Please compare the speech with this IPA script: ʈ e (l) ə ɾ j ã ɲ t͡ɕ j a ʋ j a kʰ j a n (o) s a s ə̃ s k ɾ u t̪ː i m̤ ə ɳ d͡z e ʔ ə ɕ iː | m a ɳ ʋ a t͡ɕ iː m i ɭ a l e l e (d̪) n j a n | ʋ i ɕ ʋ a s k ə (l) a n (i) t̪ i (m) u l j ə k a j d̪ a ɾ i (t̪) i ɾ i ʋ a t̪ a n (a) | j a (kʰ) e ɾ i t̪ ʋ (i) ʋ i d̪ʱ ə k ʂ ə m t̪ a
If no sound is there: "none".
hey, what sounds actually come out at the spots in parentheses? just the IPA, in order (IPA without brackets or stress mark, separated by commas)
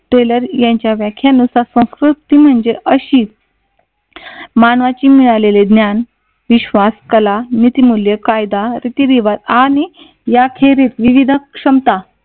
l, u, d̪, l, i, m, t̪, i, kʰ, i